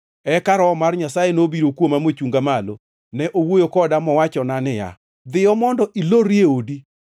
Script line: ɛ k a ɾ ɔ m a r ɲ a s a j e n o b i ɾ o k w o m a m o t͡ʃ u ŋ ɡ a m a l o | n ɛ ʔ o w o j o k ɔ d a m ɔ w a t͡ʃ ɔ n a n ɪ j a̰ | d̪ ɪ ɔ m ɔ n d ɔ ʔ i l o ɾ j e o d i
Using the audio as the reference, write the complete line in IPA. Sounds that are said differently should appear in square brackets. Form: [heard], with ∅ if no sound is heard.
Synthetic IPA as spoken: ɛ k a ɾ ɔ m a r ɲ a s a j e n o b i ɾ o k w o m a m o t͡ʃ u ŋ ɡ a m a l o | n ɛ ʔ o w o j o k ɔ d a m ɔ w a t͡ʃ ɔ n a n ɪ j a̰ | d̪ ɪ ɔ m ɔ n d ɔ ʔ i l o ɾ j e o d i